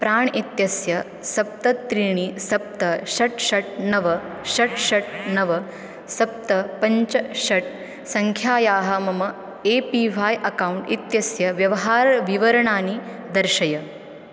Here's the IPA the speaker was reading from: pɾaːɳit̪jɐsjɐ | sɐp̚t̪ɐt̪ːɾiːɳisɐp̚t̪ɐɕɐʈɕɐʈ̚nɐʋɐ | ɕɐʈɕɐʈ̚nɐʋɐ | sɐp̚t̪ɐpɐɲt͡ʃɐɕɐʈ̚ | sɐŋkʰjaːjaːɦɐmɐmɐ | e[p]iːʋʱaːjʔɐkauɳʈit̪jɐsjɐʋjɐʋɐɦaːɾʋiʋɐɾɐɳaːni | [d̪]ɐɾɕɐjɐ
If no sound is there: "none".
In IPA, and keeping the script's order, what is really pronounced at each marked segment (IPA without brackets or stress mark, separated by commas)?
p, d̪